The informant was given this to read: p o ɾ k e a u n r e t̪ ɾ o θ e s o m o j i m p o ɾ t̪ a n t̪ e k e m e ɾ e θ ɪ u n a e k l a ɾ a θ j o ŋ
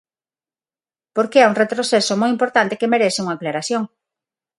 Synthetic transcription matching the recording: p o ɾ k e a u ŋ r e t̪ ɾ o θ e s o m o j i m p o ɾ t̪ a n t̪ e k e m e ɾ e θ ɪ u ŋ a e k l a ɾ a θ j o ŋ